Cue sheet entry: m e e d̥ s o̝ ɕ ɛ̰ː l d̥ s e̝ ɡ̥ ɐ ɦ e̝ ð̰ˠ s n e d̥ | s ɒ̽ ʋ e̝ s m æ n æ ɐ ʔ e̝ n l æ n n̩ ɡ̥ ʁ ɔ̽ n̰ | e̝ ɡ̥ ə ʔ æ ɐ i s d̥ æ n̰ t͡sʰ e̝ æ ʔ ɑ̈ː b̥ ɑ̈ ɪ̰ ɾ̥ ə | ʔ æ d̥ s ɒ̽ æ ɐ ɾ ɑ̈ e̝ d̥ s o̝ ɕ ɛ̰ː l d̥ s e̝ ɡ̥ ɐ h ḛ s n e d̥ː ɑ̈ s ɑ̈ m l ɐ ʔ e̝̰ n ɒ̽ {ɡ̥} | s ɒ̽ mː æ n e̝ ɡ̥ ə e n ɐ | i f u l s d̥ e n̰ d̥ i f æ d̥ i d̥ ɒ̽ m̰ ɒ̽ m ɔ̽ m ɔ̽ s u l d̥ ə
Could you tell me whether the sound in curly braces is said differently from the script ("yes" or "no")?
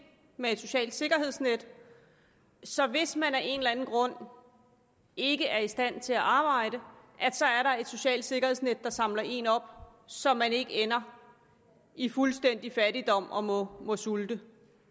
yes